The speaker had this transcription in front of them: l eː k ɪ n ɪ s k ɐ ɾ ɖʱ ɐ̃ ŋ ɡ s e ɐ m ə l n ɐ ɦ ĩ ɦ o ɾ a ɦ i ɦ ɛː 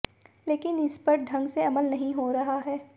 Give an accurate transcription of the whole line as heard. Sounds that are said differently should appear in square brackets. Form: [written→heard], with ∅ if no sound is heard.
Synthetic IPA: l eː k ɪ n ɪ s [k→p] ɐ ɾ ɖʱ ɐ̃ ŋ ɡ s e ɐ m ə l n ɐ ɦ ĩ ɦ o ɾ [a→ɐ] ɦ [i→a] ɦ ɛː